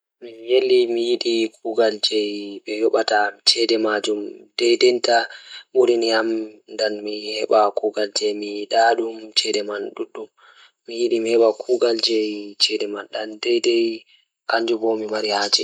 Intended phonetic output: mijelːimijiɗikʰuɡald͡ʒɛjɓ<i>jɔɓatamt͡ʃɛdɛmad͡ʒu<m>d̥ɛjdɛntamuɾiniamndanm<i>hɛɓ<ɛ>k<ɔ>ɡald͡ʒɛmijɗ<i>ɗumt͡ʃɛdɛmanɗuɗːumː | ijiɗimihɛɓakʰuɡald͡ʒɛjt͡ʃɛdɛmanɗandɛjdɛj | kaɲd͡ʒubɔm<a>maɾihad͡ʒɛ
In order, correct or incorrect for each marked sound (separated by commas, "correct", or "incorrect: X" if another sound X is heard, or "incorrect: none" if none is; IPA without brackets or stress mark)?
incorrect: ɛ, correct, correct, incorrect: a, incorrect: u, incorrect: a, incorrect: i